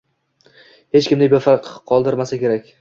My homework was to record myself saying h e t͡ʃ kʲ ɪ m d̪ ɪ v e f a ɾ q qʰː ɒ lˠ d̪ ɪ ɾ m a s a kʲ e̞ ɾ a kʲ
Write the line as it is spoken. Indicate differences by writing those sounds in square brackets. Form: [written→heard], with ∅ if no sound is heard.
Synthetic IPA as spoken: h e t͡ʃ kʲ ɪ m d̪ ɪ [v→b] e f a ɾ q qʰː ɒ lˠ d̪ ɪ ɾ m a s a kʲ e̞ ɾ a kʲ